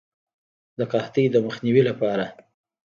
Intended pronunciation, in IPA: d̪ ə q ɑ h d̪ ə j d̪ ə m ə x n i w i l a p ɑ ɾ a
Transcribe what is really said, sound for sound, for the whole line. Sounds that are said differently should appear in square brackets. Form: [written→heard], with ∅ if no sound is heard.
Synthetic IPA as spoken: d̪ ə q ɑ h [d̪→t̪] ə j d̪ ə m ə x n i w i l a p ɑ ɾ a